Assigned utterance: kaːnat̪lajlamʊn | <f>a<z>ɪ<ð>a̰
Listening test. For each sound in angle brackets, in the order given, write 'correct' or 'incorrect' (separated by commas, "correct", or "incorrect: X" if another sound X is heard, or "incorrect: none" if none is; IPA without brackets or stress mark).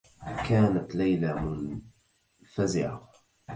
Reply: correct, correct, incorrect: ʕ